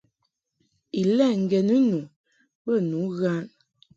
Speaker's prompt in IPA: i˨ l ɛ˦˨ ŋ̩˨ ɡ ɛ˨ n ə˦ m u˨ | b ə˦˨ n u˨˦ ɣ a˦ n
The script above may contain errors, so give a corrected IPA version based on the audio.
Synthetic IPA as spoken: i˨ l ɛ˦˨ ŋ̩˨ ɡ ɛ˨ n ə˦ n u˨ | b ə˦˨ n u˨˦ ɣ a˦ n